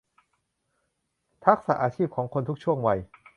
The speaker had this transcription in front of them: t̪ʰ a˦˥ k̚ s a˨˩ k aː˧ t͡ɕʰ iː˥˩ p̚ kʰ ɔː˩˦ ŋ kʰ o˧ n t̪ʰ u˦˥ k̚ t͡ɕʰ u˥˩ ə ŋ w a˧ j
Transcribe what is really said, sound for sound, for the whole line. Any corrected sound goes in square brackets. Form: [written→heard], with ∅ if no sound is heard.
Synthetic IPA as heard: t̪ʰ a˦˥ k̚ s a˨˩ [k→ʔ] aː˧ t͡ɕʰ iː˥˩ p̚ kʰ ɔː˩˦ ŋ kʰ o˧ n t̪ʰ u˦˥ k̚ t͡ɕʰ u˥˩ ə ŋ w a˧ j